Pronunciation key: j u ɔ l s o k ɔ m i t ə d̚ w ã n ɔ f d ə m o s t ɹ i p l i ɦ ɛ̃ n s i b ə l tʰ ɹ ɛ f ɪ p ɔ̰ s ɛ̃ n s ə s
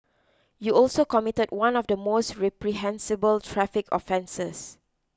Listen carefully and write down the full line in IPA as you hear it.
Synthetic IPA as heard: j u ɔ l s o k ɔ m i t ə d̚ w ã n ɔ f d ə m o s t ɹ ɛ p ɹ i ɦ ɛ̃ n s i b ə l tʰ ɹ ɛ f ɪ k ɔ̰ f ɛ̃ n s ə s